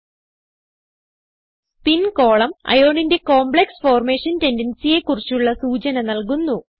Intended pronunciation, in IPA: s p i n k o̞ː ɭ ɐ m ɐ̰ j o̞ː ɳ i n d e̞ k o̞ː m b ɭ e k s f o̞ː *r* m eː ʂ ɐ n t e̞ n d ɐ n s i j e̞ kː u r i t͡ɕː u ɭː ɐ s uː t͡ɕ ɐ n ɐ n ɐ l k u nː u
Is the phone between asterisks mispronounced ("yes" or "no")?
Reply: no